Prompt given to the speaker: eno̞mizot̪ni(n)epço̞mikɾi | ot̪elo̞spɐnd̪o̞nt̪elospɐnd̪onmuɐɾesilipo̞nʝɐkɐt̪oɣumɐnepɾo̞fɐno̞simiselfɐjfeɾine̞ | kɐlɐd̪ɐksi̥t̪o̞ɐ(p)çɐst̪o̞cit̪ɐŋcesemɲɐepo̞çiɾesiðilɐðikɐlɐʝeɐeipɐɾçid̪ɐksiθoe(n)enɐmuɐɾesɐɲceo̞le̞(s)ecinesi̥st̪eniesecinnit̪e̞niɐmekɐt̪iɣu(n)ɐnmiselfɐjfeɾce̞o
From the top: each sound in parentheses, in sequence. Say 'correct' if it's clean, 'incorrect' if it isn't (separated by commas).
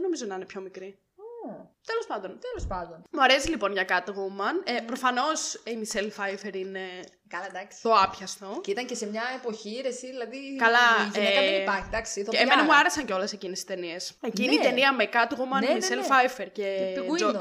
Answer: correct, correct, incorrect, correct, incorrect